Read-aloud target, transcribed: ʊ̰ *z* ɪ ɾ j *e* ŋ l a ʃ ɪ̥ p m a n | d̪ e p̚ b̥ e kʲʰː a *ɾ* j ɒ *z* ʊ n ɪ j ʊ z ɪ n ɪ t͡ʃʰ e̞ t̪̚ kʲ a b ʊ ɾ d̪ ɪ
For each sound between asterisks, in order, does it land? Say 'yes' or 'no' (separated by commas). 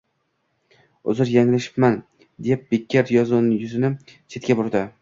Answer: yes, no, yes, yes